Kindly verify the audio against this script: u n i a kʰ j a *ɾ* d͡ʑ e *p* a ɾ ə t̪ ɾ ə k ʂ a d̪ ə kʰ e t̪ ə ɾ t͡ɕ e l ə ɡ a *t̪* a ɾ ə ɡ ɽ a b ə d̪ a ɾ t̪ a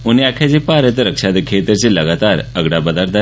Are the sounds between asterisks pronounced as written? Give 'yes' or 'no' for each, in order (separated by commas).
no, yes, yes